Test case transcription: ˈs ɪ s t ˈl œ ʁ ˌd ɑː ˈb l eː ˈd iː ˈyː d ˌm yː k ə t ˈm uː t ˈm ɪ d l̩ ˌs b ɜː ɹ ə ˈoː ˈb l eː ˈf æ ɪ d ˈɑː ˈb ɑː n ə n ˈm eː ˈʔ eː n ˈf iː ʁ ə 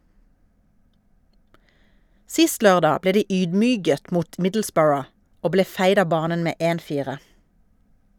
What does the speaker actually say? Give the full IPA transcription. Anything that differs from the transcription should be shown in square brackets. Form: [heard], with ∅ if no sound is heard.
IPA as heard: ˈs ɪ s t ˈl œ ʁ ˌd ɑː ˈb l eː ˈd iː ˈyː d ˌm yː [ɡ] ə t ˈm uː t ˈm ɪ d l̩ ˌs b ɜː ɹ ə ˈoː ˈb l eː ˈf æ ɪ d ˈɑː ˈb ɑː n ə n ˈm eː ˈʔ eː n ˈf iː ʁ ə

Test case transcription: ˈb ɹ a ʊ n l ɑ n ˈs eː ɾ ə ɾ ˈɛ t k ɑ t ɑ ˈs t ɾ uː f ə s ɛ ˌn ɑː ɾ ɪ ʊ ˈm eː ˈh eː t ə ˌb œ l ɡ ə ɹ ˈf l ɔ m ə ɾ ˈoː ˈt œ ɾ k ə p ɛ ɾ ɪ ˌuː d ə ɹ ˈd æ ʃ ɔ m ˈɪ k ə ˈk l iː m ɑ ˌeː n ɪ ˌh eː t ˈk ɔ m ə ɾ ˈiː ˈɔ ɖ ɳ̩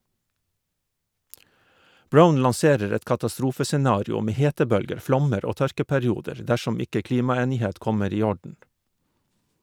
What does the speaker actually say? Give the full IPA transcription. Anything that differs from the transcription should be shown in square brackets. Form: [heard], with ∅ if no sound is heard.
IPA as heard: ˈb ɹ a ʊ n l ɑ n ˈs eː ɾ ə ɾ ˈɛ t k ɑ t ɑ ˈs t ɾ uː f ə s ɛ ˌn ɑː ɾ ɪ ʊ ˈm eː ˈh eː t ə ˌb œ l ɡ ə [ɾ] ˈf l ɔ m ə ɾ ˈoː ˈt œ ɾ k ə p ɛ ɾ ɪ ˌuː d ə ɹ ˈd æ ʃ ɔ m ˈɪ k ə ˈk l iː m ɑ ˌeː n ɪ ˌh eː t ˈk ɔ m ə ɾ ˈiː ˈɔ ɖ ɳ̩

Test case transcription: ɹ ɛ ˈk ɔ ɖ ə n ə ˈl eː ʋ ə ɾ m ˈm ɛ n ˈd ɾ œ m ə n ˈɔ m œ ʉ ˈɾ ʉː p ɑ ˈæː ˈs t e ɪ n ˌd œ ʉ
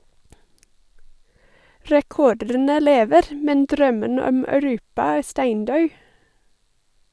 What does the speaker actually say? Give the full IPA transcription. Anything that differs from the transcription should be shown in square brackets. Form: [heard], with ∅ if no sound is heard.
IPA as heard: ɹ ɛ ˈk ɔ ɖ ə n ə ˈl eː ʋ ə ɾ m ˈm ɛ n ˈd ɾ œ m ə n ˈɔ m œ ʉ ˈɾ ʉː p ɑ ˈæː ˈs t [æ] ɪ n ˌd œ ʉ

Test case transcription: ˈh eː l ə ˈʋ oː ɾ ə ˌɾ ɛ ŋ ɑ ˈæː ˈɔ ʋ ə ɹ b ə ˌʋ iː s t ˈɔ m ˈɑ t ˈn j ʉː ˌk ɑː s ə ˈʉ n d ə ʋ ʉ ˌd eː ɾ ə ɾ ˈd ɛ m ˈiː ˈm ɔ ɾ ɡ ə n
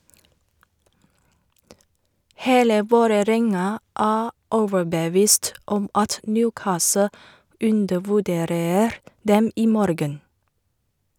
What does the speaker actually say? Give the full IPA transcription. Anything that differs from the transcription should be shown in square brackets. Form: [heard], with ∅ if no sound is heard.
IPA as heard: ˈh eː l ə ˈʋ oː ɾ ə ˌɾ ɛ ŋ ɑ ˈæː ˈɔ ʋ ə ɹ b ə ˌʋ iː s t ˈɔ m ˈɑ t ˈn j ʉː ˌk ɑː s ə ˈʉ n d ə ʋ ʉ ˌd eː ɾ ə ɾ ˈd ɛ m ˈiː ˈm ɔ ɾ ɡ ə n

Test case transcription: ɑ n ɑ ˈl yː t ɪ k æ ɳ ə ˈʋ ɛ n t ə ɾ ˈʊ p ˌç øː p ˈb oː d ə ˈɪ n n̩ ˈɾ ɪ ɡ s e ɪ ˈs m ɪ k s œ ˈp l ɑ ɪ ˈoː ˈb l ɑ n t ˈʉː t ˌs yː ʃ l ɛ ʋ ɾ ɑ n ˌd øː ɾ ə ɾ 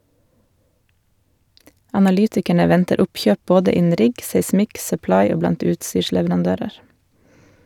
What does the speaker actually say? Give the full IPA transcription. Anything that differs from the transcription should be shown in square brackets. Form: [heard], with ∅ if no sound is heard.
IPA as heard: ɑ n ɑ ˈl yː t ɪ k æ ɳ ə ˈʋ ɛ n t ə ɾ ˈʊ p ˌç øː p ˈb oː d ə ˈɪ n n̩ ˈɾ ɪ ɡ s e ɪ ˈs m ɪ k s œ ˈp l ɑ ɪ ˈoː ˈb l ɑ n t ˈʉː t ˌs yː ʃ l ɛ ʋ ɾ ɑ n ˌd øː ɾ ə ɾ

